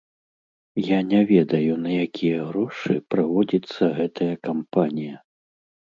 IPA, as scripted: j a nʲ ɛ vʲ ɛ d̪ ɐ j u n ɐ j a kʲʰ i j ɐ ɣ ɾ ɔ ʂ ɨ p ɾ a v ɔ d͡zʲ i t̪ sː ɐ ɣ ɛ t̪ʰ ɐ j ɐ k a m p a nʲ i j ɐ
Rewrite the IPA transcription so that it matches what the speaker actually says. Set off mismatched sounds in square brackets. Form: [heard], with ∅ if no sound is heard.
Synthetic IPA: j a nʲ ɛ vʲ ɛ d̪ ɐ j u n ɐ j a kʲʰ i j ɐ ɣ ɾ ɔ ʂ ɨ p ɾ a v ɔ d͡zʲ i t̪ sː ɐ ɣ ɛ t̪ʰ ɐ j ɐ k a m p a nʲ i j ɐ